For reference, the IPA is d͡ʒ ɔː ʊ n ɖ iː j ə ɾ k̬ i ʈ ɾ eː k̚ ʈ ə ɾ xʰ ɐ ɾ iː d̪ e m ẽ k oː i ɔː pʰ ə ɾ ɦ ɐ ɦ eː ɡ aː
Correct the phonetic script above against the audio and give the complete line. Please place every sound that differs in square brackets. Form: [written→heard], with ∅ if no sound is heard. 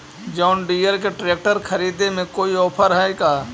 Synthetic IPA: d͡ʒ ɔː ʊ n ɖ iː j ə ɾ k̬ [i→e] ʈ ɾ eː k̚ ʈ ə ɾ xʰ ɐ ɾ iː d̪ e m ẽ k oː i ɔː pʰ ə ɾ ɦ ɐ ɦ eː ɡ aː